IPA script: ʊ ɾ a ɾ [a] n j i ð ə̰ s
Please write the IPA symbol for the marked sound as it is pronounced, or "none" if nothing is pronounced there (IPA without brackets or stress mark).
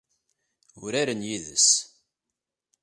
ə